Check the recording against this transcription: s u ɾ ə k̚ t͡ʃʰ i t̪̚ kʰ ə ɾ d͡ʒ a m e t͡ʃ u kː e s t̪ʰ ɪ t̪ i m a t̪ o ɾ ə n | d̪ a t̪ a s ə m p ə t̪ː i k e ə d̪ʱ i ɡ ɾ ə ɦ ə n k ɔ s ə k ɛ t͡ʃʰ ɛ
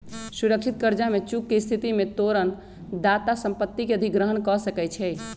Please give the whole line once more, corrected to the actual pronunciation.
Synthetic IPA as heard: s u ɾ ə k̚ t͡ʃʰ i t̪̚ k ə ɾ d͡ʒ a m e t͡ʃ u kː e s t̪ʰ i t̪ i m e t̪ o ɾ ə n | d̪ a t̪ a s ə m p ə t̪ː i k e ə d̪ʱ i ɡ ɾ ə ɦ ə n k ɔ s ə k ɛ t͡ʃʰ ɛ